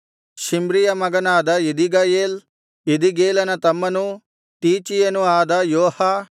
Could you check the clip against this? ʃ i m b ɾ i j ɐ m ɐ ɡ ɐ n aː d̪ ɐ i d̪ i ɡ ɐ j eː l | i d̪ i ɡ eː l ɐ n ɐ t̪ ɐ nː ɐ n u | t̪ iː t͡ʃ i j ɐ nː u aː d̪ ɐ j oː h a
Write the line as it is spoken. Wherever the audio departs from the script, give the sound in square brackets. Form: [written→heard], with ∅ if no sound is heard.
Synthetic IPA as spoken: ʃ i m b ɾ i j ɐ m ɐ ɡ ɐ n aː d̪ ɐ i d̪ i ɡ ɐ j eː l | i d̪ i ɡ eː l ɐ n ɐ t̪ ɐ [nː→mː] ɐ n u | t̪ iː t͡ʃ i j ɐ [nː→n] u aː d̪ ɐ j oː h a